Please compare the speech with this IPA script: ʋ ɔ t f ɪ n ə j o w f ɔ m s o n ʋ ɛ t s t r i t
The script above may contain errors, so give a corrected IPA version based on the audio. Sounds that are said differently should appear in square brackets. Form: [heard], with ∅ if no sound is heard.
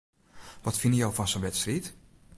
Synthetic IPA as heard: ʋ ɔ t f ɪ n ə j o w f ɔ [n] s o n ʋ ɛ t s t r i t

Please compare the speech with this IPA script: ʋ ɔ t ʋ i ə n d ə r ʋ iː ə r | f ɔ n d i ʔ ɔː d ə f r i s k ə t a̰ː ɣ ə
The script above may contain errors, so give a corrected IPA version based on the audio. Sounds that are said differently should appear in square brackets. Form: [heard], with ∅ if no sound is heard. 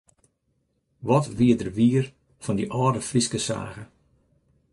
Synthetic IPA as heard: ʋ ɔ t ʋ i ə [∅] d ə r ʋ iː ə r | f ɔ n d i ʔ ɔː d ə f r i s k ə [s] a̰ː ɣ ə

